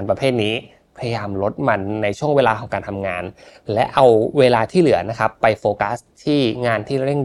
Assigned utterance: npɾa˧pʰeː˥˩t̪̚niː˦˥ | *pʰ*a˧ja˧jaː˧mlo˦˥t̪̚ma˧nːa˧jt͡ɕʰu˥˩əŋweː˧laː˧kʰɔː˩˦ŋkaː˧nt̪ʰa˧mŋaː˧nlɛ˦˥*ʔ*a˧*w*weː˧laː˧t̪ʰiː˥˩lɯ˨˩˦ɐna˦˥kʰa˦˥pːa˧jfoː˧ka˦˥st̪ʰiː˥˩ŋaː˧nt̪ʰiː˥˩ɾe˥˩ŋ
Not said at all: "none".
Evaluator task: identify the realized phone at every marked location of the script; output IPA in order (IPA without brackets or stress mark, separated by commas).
pʰ, ʔ, w